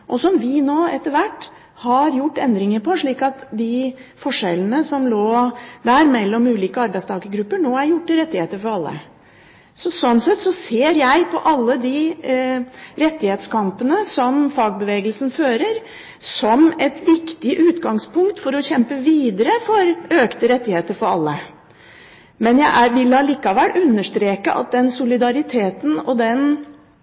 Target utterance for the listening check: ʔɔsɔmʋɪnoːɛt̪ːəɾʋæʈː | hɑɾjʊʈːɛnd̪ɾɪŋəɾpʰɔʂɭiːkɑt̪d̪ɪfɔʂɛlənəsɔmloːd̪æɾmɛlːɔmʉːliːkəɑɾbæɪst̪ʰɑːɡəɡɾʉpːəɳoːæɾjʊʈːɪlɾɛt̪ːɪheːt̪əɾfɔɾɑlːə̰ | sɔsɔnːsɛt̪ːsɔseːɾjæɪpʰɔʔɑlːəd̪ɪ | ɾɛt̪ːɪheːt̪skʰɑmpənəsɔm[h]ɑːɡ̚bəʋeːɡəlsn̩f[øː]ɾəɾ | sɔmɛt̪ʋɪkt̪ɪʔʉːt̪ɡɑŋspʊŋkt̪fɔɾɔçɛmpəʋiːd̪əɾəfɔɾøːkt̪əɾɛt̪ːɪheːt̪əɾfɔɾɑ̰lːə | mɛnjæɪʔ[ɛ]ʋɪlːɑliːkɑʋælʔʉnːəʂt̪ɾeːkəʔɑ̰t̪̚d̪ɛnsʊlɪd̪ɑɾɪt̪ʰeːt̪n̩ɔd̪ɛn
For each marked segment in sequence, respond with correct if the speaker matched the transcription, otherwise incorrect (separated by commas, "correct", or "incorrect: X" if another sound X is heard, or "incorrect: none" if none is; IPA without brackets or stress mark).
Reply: incorrect: f, correct, incorrect: æ